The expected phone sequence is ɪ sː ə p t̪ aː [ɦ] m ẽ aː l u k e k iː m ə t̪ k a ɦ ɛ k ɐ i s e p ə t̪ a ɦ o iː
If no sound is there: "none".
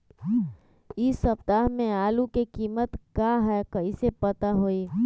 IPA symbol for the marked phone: ɦ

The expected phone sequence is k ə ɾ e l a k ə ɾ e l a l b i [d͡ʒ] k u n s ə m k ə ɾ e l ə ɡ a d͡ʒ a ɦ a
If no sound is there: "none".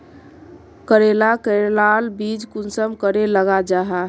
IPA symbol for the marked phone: d͡ʒ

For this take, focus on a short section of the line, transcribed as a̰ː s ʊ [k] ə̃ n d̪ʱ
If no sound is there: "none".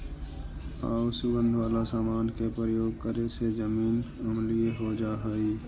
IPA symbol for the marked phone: ɡ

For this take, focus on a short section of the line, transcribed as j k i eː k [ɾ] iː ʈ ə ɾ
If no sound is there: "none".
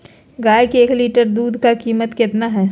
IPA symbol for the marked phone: l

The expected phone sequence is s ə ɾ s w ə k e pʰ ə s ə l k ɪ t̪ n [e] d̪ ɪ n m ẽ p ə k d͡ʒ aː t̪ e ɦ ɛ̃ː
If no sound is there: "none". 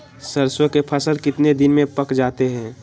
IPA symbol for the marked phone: e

